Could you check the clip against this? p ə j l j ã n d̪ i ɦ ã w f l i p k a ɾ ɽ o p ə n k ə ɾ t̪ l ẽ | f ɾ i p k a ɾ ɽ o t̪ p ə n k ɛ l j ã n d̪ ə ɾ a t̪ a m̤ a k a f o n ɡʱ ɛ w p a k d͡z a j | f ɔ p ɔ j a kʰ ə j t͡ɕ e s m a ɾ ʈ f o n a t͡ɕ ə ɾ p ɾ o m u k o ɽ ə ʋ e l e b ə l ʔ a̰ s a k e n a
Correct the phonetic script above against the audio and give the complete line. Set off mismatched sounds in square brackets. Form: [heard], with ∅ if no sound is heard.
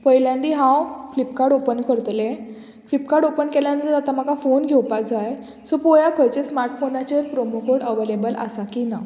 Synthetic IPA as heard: p ə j l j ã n d̪ i ɦ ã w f l i p k a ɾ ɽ o p ə n k ə ɾ t̪ l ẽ | f [l] i p k a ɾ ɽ o [∅] p ə n k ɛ l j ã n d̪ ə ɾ a t̪ a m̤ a k a f o n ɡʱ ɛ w p a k d͡z a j | [s] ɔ p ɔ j a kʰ ə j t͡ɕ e s m a ɾ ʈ f o n a t͡ɕ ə ɾ p ɾ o m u k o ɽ ə ʋ e l e b ə l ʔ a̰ s a k [i] n a